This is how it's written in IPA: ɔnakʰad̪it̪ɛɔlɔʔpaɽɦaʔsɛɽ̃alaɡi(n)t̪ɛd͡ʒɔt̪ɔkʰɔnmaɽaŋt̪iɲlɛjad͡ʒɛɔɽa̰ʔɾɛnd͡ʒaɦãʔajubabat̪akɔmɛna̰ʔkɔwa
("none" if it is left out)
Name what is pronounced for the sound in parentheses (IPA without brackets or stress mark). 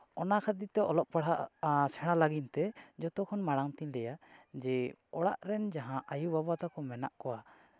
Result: n